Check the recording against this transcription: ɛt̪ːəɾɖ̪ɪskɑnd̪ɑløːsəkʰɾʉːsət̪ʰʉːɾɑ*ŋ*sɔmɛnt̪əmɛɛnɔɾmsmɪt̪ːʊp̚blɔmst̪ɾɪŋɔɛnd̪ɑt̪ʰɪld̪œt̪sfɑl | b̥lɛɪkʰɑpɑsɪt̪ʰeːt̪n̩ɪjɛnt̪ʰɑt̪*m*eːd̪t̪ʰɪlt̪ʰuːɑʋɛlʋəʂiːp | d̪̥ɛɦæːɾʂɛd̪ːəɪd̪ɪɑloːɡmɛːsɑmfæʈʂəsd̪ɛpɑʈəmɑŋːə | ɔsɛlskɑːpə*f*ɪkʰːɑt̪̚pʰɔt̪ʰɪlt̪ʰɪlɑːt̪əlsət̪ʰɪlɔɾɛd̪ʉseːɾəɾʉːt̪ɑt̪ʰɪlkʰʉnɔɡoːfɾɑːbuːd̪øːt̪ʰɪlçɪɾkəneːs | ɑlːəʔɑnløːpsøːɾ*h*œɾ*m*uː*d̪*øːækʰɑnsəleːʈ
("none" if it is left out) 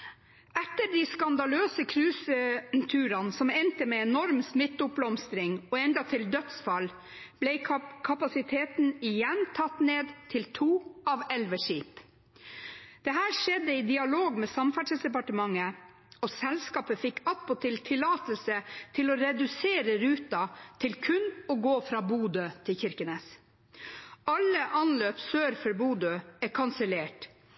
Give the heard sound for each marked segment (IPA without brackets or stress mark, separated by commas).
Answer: n, n, f, f, b, d̪